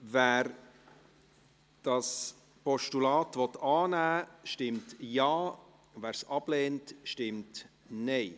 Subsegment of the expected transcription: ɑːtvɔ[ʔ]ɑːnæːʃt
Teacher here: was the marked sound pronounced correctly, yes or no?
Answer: no